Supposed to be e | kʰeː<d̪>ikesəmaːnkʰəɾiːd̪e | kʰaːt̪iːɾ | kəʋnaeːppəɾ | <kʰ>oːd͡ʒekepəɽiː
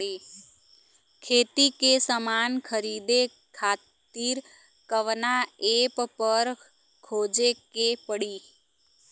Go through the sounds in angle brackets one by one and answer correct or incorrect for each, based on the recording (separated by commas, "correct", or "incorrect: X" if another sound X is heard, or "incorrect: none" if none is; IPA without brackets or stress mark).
incorrect: t̪, correct